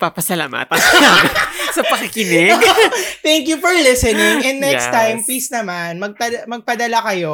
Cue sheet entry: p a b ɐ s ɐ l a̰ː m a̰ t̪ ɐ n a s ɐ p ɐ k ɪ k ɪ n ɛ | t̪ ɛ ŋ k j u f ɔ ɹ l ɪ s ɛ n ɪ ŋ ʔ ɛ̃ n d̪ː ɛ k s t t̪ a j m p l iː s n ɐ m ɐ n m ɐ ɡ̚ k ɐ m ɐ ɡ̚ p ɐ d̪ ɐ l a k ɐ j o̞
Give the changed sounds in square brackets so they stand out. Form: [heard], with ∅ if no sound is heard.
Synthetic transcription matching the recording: p a [p] ɐ s ɐ l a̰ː m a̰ t̪ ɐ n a s ɐ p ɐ k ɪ k ɪ n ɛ | t̪ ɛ ŋ k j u f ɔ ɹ l ɪ s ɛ n ɪ ŋ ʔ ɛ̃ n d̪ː ɛ k s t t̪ a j m p l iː s n ɐ m [a] n m ɐ ɡ̚ [p] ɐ m ɐ ɡ̚ p ɐ d̪ ɐ l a k ɐ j o̞